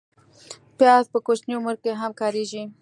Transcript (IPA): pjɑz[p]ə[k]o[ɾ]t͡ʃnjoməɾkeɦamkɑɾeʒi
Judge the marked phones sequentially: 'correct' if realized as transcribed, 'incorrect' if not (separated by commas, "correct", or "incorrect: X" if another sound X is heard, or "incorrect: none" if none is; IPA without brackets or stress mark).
correct, correct, incorrect: none